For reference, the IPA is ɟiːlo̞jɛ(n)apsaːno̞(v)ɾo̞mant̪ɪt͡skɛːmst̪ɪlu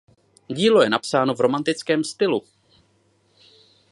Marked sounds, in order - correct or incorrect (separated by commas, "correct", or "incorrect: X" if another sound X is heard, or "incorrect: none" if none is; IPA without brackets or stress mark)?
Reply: correct, correct